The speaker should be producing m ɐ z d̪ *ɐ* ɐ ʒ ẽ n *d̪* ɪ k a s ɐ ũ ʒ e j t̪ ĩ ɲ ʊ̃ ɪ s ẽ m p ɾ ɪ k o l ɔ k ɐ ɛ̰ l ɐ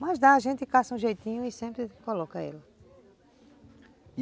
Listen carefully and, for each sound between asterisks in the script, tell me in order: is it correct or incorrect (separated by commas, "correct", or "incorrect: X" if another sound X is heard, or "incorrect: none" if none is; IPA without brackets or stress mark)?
incorrect: a, incorrect: t̪